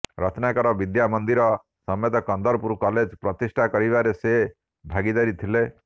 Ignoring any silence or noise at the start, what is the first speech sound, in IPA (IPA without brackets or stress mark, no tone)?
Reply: ɾ